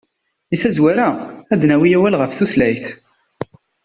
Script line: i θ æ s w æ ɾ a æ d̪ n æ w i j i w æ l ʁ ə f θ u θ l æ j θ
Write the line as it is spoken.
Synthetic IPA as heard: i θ æ z w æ ɾ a æ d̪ n æ w i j æ w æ l ʁ ə f θ u θ l æ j θ